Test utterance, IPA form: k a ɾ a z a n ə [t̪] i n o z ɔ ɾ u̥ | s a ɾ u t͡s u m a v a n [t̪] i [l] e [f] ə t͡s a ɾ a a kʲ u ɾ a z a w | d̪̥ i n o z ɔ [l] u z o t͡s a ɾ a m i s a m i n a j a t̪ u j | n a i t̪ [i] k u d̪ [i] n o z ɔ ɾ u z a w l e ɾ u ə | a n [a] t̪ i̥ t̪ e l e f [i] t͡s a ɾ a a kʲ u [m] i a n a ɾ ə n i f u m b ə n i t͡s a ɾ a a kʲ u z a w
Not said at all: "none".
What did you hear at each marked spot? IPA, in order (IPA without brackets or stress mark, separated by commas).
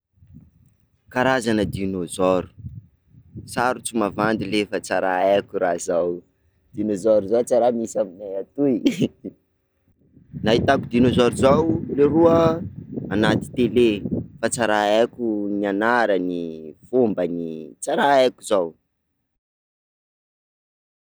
d̪, d̪, l, f, ɾ, a, i, a, a, n